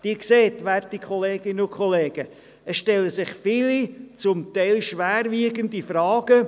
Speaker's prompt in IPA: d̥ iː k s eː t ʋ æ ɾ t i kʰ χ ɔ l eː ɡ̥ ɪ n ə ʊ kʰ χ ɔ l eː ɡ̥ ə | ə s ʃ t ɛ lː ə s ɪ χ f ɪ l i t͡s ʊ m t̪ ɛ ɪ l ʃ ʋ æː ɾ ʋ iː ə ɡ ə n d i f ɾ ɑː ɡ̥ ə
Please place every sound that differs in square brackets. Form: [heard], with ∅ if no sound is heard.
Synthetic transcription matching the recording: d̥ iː k s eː t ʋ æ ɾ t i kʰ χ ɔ l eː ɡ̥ ɪ n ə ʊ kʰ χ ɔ l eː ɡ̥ ə | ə s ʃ t ɛ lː ə s ɪ χ f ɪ l i t͡s ʊ m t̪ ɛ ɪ l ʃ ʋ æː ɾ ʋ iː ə ɡ ə n d i f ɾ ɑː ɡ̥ ə